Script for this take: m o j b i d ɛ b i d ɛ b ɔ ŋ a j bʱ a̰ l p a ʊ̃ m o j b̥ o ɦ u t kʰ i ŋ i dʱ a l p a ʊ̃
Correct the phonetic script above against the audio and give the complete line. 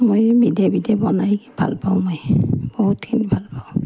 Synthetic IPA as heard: m o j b i d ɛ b i d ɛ b ɔ n a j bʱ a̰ l p a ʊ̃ m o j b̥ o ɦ u t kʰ i n i bʱ a l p a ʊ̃